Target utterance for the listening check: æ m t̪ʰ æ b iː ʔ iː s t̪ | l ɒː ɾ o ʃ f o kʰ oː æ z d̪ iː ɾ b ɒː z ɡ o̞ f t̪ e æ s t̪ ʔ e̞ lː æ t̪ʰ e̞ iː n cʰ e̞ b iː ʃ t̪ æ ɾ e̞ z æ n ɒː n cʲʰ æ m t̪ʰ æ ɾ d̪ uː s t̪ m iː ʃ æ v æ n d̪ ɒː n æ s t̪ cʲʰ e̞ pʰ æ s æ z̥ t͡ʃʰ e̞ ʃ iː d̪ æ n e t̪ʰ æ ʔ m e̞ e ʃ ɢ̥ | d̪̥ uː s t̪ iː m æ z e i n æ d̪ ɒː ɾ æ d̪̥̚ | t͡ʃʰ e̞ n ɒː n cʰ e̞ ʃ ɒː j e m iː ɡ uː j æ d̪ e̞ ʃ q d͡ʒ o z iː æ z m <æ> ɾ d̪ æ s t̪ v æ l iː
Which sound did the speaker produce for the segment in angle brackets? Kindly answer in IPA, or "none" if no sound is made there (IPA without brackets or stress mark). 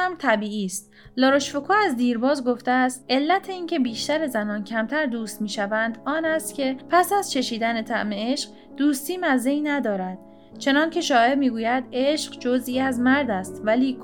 æ